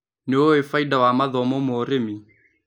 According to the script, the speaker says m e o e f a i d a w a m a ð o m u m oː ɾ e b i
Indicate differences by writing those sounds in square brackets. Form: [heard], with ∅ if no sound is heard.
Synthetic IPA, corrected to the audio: [n] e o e f a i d a w a m a ð [ɔ] m [ɔ] m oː ɾ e [m] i